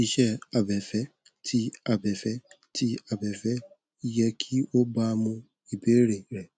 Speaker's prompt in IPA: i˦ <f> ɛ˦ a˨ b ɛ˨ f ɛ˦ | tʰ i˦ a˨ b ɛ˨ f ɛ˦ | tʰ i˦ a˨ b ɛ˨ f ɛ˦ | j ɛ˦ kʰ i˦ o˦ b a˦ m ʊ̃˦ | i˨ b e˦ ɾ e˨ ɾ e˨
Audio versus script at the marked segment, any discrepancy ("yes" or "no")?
yes